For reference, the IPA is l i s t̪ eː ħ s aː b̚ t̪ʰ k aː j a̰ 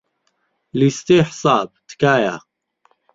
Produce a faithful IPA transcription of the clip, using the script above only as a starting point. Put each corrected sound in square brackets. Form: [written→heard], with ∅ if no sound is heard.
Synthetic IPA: l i s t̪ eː ħ s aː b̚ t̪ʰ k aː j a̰